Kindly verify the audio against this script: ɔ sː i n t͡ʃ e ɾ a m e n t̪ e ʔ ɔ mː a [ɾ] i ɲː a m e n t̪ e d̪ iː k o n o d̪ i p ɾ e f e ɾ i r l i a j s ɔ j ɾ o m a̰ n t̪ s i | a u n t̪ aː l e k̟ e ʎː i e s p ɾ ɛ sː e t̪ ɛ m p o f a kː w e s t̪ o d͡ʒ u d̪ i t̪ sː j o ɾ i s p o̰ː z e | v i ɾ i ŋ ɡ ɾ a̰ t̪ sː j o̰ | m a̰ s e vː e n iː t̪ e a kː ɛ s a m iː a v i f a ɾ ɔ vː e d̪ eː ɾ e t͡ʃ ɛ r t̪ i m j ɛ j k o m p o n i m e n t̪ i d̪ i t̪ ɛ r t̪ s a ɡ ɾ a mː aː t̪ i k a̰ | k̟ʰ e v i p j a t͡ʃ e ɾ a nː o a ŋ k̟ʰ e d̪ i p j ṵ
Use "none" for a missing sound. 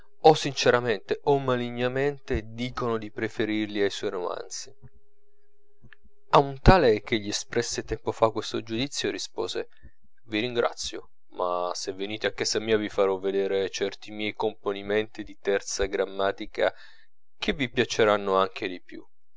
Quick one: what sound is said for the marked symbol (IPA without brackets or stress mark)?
l